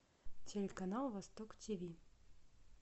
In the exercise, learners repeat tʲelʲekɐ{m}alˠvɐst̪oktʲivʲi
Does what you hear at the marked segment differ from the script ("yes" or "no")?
yes